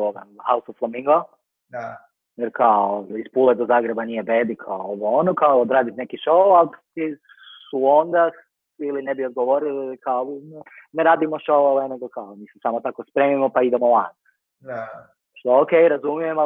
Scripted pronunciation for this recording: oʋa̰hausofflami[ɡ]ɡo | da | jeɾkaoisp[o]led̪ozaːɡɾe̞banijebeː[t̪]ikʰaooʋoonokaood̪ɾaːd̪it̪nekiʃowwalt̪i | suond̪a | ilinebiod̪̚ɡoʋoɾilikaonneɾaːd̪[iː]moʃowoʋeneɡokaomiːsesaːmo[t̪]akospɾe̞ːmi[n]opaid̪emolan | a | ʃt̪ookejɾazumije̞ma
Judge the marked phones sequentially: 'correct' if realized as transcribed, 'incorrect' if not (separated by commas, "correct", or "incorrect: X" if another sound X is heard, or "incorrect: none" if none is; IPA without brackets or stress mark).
incorrect: ŋ, incorrect: u, incorrect: d̪, incorrect: i, correct, incorrect: m